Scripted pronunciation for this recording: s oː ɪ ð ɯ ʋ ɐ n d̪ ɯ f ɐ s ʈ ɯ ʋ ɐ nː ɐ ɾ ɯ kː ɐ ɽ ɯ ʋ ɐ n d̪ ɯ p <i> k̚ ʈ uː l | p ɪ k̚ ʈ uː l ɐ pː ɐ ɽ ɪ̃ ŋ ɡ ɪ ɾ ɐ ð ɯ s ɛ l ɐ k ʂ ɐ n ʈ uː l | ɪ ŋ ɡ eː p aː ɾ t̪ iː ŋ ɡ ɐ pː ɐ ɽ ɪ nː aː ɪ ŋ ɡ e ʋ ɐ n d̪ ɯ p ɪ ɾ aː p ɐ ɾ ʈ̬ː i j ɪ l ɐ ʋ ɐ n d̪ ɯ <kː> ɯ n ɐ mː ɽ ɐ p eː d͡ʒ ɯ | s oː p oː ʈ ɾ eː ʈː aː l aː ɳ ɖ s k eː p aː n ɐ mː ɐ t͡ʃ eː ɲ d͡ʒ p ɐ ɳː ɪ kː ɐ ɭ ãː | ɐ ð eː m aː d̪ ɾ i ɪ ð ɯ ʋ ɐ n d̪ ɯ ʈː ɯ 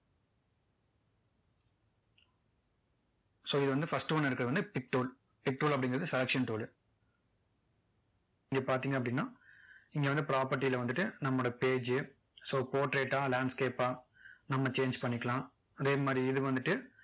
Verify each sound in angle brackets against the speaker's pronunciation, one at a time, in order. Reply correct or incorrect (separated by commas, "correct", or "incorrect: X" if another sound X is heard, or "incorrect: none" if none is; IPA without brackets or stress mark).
incorrect: ɪ, incorrect: ʈː